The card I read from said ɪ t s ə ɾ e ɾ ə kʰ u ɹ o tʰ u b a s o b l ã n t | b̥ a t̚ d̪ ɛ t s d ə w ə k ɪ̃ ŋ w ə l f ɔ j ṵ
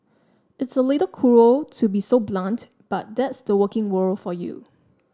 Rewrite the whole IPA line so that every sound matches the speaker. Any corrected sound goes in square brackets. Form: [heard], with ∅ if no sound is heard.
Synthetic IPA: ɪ t s ə [l] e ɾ ə kʰ u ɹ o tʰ u b [i] s o b l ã n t | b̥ a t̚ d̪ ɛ t s d ə w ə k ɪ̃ ŋ w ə l f ɔ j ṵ